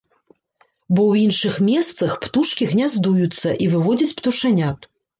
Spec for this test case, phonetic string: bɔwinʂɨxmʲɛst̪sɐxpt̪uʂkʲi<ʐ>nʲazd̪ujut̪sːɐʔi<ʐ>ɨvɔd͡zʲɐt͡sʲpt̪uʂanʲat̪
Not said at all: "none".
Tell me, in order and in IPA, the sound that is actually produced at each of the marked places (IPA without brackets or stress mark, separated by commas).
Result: ɣ, v